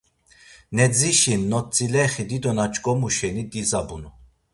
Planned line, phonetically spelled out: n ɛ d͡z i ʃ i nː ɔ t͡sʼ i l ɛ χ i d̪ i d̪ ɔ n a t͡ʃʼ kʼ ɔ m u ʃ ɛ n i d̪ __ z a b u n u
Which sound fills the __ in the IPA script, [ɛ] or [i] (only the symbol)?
i